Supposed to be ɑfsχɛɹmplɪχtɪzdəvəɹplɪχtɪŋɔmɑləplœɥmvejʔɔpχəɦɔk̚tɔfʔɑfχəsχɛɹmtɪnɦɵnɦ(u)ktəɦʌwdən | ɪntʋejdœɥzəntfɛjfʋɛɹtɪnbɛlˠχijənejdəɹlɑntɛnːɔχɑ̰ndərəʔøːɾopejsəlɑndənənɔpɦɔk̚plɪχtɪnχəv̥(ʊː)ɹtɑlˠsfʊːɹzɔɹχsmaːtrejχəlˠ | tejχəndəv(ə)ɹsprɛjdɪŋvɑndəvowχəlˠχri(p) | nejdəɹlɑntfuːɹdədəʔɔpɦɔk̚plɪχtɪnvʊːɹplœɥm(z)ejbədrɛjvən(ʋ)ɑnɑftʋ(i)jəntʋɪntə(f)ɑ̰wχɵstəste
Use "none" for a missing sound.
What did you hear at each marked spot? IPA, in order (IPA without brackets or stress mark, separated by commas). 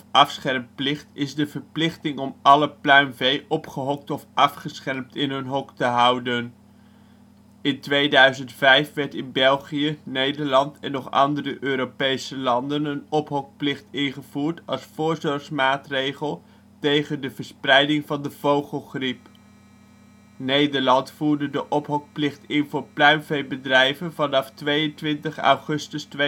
ɔ, uː, ə, p, v, v, e, χ